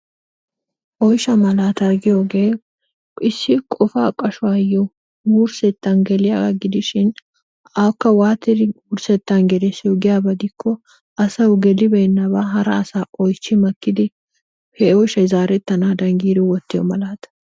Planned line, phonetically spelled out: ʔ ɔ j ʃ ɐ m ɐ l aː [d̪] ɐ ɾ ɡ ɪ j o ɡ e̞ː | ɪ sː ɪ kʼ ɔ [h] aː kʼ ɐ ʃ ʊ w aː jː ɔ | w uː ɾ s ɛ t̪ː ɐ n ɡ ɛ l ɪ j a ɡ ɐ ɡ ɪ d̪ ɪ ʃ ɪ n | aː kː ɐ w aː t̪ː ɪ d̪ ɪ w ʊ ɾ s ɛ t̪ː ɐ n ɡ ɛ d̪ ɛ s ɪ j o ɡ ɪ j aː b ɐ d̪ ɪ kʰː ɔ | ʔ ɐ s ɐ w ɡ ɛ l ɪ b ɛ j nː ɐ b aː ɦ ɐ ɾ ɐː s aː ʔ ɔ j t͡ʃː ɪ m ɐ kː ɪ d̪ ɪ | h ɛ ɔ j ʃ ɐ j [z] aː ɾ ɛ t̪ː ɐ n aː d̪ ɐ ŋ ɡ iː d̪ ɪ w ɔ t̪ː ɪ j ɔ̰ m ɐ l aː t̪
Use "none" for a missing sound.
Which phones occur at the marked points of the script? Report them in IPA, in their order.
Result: t̪, f, z

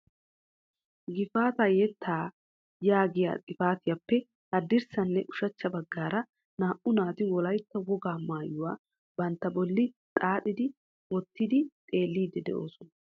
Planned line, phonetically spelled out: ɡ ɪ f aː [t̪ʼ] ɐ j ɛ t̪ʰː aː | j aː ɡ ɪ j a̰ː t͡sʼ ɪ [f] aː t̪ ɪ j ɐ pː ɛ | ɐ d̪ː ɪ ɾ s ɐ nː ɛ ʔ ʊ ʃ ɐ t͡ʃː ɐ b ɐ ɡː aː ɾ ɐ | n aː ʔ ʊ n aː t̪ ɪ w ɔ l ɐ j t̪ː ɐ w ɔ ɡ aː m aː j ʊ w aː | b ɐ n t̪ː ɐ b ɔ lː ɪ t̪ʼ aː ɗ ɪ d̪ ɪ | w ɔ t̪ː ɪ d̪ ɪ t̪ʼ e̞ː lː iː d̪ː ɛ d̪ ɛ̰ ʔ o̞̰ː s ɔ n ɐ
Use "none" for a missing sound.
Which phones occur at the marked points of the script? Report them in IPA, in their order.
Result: t̪, f

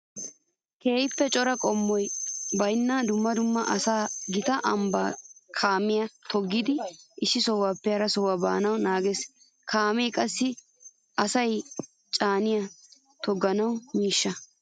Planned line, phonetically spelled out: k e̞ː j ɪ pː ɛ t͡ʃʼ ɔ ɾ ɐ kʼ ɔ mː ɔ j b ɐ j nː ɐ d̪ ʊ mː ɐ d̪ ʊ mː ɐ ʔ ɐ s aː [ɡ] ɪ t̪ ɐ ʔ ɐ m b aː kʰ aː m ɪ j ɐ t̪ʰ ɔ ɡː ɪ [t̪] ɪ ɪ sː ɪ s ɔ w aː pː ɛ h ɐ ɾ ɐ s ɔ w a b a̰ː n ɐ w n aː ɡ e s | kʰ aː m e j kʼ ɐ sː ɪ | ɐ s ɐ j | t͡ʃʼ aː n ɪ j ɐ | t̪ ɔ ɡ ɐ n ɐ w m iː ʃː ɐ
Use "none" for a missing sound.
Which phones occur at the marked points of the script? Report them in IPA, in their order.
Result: ɡ, d̪

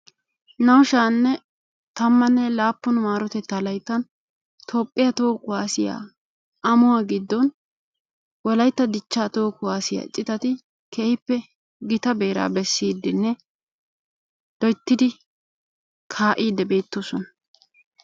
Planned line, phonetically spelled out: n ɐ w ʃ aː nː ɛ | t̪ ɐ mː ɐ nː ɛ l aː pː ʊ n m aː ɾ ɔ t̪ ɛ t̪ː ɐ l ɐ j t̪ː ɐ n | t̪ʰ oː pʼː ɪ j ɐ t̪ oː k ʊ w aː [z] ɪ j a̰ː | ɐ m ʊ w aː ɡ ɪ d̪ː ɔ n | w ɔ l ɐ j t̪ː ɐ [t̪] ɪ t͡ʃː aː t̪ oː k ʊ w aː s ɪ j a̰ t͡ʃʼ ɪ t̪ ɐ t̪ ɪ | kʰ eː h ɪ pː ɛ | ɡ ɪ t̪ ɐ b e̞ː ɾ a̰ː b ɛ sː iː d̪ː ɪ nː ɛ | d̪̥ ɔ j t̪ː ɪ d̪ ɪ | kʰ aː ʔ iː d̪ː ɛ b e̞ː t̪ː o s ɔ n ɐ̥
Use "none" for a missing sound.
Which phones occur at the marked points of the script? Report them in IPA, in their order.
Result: s, d̪

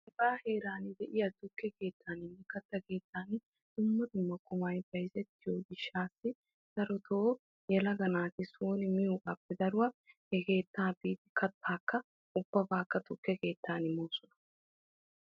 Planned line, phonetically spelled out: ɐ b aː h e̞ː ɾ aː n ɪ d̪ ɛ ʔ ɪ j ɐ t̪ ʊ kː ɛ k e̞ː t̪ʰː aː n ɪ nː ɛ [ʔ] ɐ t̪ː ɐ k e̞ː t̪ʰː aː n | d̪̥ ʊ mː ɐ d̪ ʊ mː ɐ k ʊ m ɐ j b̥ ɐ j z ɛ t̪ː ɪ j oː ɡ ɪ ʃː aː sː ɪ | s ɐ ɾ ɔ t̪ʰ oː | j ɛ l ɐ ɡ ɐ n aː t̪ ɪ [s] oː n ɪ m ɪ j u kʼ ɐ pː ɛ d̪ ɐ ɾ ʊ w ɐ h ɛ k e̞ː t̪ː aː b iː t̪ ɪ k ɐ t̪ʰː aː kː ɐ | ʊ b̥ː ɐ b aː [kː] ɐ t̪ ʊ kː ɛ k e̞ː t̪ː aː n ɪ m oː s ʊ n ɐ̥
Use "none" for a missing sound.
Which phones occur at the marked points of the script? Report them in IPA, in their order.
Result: k, s, kː

